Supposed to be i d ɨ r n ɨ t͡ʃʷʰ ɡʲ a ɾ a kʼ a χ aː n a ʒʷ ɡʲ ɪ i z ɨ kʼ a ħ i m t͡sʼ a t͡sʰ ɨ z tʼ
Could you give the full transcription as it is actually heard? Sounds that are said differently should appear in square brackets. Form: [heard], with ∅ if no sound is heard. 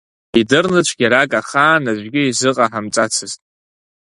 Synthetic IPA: i d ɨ r n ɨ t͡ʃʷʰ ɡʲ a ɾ a kʼ a χ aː n a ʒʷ ɡʲ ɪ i z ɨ [qʼ] a ħ [a] m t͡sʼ a t͡sʰ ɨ z tʼ